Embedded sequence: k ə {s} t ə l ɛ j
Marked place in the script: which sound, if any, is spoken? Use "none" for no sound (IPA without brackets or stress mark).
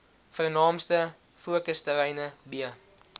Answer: s